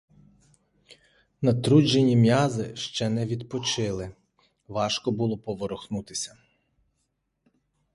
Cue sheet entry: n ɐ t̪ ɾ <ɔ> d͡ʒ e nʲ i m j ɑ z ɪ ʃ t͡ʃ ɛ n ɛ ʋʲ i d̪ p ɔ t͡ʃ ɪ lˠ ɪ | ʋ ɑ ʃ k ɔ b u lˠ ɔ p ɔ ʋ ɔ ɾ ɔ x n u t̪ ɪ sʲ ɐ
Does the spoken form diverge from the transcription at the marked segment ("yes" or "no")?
yes